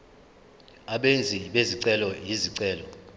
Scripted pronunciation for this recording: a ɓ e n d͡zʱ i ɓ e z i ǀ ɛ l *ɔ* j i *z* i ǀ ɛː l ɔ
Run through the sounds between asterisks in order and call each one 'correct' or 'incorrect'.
correct, correct

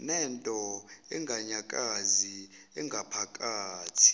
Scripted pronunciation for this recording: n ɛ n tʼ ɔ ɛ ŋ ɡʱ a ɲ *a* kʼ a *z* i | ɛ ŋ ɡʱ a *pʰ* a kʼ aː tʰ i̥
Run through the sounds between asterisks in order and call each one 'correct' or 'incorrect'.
correct, correct, correct

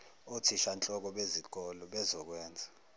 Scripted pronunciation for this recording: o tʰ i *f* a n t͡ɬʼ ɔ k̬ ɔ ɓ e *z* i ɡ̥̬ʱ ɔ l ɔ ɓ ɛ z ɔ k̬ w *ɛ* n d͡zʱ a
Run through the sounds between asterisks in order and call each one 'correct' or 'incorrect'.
incorrect: ʃ, correct, incorrect: ɛː

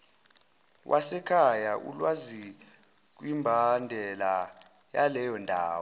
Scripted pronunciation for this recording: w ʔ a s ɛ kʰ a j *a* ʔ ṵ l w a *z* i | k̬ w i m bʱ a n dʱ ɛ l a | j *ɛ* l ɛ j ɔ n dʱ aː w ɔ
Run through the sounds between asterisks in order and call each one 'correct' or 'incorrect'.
correct, correct, incorrect: a

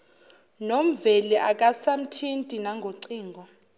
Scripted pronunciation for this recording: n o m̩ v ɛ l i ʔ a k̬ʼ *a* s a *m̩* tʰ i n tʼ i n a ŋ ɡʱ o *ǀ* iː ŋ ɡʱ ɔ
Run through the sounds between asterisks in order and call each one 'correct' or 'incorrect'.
correct, correct, correct

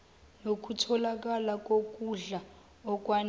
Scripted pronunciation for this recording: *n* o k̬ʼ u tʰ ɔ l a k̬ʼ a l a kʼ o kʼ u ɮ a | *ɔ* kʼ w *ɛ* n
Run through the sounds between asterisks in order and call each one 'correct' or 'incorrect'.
correct, correct, incorrect: a

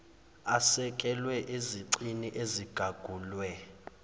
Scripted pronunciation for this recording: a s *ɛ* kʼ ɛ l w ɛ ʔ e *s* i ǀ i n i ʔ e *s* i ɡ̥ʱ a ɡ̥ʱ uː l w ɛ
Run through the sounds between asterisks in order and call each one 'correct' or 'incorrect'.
correct, incorrect: z, incorrect: z

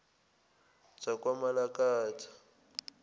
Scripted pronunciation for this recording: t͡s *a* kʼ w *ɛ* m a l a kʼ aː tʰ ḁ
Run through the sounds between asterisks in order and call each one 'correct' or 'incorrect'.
correct, incorrect: a

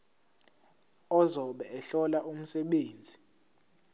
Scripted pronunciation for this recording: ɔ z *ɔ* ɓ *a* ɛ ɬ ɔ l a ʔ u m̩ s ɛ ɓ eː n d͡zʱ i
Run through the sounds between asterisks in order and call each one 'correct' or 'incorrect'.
correct, incorrect: ɛ

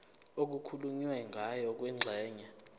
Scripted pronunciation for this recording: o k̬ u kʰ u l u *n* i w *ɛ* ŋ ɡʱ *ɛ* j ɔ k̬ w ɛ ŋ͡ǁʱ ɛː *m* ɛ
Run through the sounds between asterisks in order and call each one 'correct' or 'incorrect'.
incorrect: ɲ, correct, incorrect: a, incorrect: ɲ

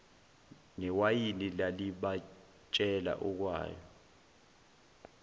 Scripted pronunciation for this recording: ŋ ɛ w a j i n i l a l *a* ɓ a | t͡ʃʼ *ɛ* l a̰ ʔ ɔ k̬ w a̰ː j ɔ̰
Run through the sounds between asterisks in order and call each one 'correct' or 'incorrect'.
incorrect: i, correct

